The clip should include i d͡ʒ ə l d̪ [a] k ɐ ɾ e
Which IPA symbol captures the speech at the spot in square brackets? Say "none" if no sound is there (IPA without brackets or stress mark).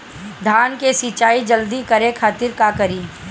i